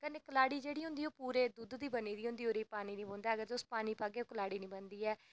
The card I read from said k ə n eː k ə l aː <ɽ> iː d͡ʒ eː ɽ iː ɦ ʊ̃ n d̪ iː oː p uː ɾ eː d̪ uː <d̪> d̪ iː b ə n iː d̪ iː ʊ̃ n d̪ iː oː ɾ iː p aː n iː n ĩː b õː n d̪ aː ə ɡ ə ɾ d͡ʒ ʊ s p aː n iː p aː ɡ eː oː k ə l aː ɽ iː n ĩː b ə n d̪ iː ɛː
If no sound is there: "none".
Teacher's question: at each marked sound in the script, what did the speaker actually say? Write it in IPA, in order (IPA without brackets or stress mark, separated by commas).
ɽ, d̪